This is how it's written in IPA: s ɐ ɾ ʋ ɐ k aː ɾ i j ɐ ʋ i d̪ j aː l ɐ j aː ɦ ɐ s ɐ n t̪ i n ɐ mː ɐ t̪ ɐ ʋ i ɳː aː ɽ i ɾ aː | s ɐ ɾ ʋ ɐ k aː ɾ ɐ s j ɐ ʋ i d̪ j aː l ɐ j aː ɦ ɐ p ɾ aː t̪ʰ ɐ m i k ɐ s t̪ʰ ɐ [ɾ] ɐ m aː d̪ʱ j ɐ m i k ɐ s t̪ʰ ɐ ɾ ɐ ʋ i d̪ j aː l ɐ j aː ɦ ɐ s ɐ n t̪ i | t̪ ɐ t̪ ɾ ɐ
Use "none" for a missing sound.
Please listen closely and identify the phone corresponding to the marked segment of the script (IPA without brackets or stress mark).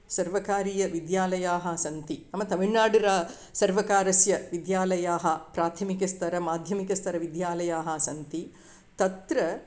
ɾ